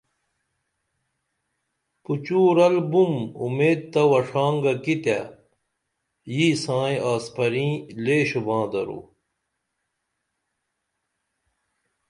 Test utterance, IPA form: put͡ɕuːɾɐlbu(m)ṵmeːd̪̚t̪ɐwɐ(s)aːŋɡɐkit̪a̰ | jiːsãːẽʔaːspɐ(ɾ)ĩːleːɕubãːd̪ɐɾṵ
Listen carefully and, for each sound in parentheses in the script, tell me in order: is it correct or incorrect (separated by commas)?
correct, incorrect, correct